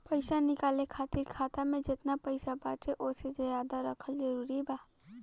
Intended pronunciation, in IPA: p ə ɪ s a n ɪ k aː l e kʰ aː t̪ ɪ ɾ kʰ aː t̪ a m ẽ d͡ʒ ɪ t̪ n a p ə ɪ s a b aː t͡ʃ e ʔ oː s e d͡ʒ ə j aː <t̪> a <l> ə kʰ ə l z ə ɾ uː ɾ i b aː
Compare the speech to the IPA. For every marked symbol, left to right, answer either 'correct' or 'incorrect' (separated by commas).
incorrect, incorrect